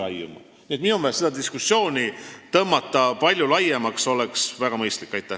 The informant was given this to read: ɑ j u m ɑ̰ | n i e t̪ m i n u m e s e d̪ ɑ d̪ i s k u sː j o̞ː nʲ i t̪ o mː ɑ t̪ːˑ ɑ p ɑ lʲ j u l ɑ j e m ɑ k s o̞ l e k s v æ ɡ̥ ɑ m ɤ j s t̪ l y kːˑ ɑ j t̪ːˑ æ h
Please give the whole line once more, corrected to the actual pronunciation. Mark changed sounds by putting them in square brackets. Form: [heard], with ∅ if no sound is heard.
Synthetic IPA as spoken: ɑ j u m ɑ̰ | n i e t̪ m i n u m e s e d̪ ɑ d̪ i s k u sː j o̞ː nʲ i t̪ [ɤ] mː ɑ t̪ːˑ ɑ p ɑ lʲ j u l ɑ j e m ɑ k s o̞ l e k s v æ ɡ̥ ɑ m ɤ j s t̪ l [i] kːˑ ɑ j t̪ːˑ æ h

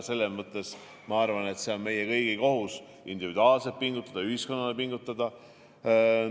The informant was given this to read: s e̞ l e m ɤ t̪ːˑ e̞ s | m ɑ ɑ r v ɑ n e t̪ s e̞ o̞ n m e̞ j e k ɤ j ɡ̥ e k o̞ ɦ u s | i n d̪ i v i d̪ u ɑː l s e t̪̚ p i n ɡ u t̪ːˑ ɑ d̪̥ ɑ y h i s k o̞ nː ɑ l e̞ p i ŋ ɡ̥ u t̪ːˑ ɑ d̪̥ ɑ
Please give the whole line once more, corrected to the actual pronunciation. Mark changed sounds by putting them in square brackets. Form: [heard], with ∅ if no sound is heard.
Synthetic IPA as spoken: s e̞ [lː] e m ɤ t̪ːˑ e̞ s | m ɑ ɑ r v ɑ n e t̪ s e̞ o̞ n m e̞ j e k ɤ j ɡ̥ [i] k o̞ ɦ u s | i n d̪ i v i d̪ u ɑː l s e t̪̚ p i [ŋ] ɡ u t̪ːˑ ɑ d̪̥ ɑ y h i s k o̞ nː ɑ l e̞ p i ŋ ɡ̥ u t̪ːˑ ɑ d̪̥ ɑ

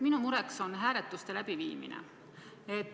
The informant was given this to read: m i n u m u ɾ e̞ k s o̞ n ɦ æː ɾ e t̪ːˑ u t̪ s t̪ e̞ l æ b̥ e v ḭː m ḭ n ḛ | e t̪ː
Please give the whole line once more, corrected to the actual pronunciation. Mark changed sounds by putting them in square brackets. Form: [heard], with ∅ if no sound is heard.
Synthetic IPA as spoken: m i n u m u ɾ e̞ k s o̞ n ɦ æː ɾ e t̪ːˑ u [∅] s t̪ e̞ l æ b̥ [i] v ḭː m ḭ n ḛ | e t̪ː

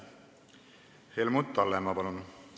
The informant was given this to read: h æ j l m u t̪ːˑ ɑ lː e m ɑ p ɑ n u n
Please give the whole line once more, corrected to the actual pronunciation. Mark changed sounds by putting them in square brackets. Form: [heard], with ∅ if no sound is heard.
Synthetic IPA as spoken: h [e] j l m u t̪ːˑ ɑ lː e m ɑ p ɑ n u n

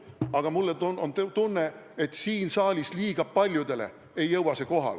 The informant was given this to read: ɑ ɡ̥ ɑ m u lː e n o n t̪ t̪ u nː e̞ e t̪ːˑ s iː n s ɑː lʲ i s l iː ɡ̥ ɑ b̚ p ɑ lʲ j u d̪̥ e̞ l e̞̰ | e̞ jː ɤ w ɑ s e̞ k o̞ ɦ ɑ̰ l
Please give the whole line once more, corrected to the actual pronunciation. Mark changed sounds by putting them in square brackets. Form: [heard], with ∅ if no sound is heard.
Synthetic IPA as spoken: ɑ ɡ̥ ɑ m u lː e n o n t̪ t̪ u nː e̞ e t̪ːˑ s iː n s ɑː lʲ i s l iː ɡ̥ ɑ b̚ p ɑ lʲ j u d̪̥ e̞ l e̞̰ | e̞ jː ɤ w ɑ s e̞ k o̞ ɦ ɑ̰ l

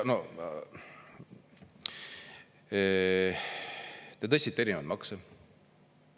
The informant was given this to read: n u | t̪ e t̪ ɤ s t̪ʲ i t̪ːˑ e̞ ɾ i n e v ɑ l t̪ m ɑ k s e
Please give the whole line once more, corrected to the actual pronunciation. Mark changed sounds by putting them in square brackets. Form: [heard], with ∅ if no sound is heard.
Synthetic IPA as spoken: n [o] | t̪ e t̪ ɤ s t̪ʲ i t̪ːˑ e̞ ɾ i n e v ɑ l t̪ m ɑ k s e

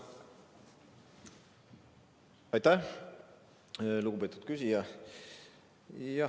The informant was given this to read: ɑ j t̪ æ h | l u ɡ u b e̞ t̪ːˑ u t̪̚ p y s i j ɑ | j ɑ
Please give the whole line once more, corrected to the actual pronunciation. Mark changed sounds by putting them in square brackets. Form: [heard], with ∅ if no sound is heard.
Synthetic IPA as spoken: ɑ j t̪ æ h | l u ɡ u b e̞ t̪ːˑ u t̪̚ [k] y s i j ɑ | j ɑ

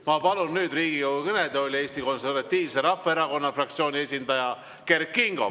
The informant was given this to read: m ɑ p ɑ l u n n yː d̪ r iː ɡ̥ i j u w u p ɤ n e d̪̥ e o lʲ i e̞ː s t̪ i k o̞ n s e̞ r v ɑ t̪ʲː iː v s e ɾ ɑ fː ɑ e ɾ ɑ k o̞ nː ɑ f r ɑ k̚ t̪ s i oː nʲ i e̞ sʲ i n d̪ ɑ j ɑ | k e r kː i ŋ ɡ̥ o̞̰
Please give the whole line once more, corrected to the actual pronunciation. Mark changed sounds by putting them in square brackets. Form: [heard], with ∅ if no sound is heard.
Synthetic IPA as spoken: m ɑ p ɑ l u n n yː d̪ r iː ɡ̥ i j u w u [k] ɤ n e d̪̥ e o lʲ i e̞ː s t̪ i k o̞ n s e̞ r v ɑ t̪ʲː iː v s e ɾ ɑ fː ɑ e ɾ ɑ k o̞ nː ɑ f r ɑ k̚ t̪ s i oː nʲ i e̞ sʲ i n d̪ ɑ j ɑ | k e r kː i ŋ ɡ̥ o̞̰

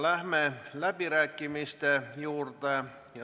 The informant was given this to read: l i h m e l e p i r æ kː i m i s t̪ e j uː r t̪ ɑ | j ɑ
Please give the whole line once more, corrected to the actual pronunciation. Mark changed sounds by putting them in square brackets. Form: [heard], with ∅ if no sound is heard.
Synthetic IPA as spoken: l [æ] h m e l [æ] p i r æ kː i m i s t̪ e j uː r t̪ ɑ | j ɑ

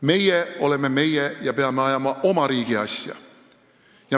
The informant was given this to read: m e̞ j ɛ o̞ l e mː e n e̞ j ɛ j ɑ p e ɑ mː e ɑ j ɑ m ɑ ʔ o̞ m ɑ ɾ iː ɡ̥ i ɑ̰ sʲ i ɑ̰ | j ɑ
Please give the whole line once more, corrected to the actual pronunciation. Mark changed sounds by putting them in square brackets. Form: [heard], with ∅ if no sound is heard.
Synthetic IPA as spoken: m e̞ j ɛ o̞ l e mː e [m] e̞ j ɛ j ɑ p e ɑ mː e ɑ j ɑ m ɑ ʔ o̞ m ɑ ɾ iː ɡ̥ i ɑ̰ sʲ [j] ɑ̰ | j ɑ

